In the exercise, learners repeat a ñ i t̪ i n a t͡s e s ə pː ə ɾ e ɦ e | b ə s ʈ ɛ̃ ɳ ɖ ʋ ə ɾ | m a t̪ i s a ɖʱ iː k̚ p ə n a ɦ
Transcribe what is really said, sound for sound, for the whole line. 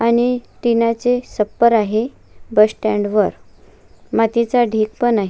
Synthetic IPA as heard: a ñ i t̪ i n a t͡s e s ə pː ə ɾ a ɦ e | b ə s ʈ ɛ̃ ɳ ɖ ʋ ə ɾ | m a t̪ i t͡s a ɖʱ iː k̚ p ə n a ɦ